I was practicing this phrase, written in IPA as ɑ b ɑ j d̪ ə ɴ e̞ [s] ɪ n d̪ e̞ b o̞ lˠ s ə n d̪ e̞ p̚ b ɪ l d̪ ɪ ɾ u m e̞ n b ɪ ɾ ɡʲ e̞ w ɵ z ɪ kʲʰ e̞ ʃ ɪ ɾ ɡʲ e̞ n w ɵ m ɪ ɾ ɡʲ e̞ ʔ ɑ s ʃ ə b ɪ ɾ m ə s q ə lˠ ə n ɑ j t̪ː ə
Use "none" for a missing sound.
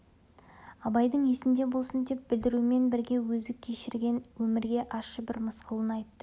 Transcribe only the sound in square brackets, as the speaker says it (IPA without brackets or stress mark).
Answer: s